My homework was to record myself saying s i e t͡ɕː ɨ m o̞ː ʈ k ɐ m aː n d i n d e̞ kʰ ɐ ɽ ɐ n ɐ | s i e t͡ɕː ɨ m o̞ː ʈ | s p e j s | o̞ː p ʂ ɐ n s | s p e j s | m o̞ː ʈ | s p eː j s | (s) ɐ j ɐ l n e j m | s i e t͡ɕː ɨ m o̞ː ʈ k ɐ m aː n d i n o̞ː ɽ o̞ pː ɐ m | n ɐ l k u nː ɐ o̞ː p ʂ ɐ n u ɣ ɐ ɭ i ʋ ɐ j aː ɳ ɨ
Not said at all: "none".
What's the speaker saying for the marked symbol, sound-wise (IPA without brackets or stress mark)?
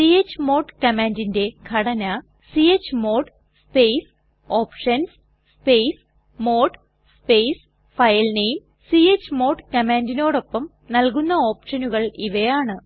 f